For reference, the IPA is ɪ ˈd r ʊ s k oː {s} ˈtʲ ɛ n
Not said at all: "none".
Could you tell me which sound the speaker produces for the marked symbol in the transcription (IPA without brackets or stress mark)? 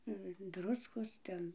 s